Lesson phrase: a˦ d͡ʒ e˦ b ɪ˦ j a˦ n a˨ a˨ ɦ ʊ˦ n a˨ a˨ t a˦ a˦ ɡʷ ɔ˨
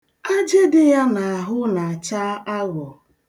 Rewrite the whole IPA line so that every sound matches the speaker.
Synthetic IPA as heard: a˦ d͡ʒ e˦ d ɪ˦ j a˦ n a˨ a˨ ɦ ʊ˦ n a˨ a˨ t͡ʃ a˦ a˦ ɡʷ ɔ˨